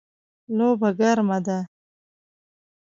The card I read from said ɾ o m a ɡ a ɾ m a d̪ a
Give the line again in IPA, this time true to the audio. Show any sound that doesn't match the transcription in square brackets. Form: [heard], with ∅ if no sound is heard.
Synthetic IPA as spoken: [l] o [b] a ɡ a ɾ m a d̪ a

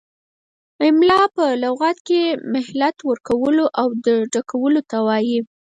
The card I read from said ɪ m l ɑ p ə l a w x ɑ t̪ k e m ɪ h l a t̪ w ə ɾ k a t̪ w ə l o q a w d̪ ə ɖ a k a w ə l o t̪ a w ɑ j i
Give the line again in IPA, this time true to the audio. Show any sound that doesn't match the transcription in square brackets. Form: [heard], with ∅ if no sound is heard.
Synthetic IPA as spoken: ɪ m l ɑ p ə l a w [ɣ] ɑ t̪ k e m ɪ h l a t̪ w ə ɾ k a [∅] w ə l o [ʔ] a w d̪ ə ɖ a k a w ə l o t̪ a w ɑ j i

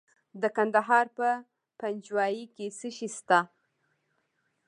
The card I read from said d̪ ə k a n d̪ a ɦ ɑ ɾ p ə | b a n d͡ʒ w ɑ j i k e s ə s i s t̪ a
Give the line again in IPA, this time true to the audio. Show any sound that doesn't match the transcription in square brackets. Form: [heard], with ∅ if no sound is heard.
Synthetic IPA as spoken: d̪ ə k a n d̪ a ɦ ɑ ɾ p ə | [p] a n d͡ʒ w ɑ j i k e s ə [ʃ] i s t̪ a

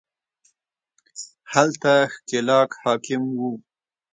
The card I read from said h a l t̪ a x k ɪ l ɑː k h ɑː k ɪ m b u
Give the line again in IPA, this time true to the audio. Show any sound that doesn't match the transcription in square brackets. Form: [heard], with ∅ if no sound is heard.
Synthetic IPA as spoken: h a l t̪ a x k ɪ l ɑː k h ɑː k ɪ m [w] u

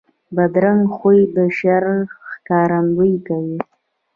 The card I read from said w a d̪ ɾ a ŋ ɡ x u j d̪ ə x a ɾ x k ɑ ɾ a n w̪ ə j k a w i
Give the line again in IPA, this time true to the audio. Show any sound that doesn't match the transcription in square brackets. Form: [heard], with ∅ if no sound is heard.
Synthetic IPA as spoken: [b] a d̪ ɾ a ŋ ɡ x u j d̪ ə [ʃ] a ɾ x k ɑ ɾ a n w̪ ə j k a w i

